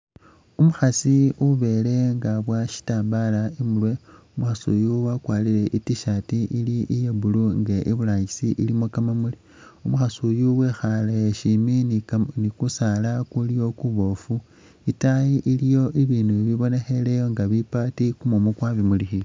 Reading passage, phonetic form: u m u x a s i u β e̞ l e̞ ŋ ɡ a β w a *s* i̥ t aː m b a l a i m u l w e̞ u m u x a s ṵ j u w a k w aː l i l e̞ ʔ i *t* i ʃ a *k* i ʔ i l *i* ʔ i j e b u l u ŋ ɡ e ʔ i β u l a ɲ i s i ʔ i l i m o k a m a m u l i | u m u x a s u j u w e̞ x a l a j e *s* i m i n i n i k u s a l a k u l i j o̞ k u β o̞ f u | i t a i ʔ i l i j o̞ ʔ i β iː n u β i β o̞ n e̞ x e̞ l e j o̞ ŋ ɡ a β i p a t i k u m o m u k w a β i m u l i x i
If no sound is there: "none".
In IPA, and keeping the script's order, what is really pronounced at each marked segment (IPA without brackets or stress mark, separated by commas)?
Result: ʃ, t, t, i, ʃ